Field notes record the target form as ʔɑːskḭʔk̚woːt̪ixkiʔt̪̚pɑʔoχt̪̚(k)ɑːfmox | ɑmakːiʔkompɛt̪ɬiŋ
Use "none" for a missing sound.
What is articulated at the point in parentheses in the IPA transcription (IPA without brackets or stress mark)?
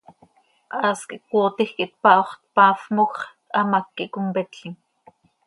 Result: p